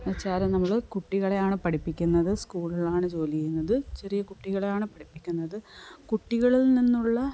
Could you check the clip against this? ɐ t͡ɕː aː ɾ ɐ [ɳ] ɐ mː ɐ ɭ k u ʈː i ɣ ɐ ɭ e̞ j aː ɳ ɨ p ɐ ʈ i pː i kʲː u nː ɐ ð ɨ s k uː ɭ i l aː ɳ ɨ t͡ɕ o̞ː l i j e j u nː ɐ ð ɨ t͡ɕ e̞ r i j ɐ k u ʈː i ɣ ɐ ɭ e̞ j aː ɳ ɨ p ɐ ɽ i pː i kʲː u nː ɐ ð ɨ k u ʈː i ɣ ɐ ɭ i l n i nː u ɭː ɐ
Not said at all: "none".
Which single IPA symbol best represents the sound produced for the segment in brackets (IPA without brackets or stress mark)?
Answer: n